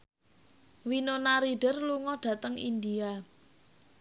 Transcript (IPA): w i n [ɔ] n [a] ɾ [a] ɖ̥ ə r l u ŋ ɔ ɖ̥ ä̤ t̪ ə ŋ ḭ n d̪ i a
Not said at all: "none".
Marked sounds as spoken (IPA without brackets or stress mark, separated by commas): o, a, i